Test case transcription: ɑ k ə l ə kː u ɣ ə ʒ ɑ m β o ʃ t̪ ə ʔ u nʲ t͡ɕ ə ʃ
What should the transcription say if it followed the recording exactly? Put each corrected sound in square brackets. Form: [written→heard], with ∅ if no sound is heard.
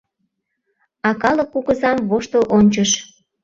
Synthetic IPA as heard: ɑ k [ə→ɑ] l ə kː u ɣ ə [ʒ→z] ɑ m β o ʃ t̪ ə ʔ [u→o] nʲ t͡ɕ ə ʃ